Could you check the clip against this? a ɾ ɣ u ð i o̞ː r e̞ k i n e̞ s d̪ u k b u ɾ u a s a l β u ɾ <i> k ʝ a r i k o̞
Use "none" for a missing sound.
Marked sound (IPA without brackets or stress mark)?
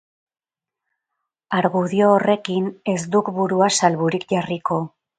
i